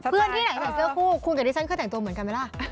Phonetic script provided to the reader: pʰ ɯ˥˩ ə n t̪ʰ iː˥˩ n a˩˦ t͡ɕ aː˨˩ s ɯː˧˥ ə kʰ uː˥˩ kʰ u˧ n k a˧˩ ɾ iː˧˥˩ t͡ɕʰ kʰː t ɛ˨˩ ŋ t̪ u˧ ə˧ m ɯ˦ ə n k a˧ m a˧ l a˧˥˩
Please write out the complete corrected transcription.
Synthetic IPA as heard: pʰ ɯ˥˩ ə n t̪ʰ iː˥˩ n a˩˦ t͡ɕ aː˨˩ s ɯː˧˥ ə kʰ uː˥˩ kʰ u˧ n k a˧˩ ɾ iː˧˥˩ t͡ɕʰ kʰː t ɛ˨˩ ŋ t̪ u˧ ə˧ m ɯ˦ ə n k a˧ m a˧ l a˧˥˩